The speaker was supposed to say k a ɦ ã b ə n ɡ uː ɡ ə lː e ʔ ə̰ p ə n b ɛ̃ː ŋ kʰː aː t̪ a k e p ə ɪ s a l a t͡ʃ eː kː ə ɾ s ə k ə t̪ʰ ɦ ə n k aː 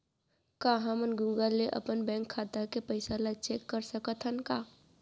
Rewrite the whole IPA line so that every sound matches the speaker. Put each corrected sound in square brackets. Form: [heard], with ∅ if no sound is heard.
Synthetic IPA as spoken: k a ɦ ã [m] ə n ɡ uː ɡ ə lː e ʔ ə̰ p ə n b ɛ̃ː ŋ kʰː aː t̪ a k e p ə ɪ s a l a t͡ʃ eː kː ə ɾ s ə k ə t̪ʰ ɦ ə n k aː